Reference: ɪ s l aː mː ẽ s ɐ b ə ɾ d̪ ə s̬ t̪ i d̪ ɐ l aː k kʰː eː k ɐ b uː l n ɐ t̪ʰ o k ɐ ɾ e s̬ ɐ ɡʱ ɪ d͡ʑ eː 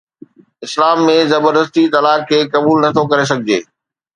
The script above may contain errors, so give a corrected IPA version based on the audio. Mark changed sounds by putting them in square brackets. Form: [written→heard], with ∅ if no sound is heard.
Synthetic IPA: ɪ s l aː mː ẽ [s→z] ɐ b ə ɾ d̪ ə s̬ t̪ i [d̪→t̪] ɐ l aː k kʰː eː k ɐ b uː l n ɐ t̪ʰ o k ɐ ɾ e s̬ ɐ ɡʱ ɪ d͡ʑ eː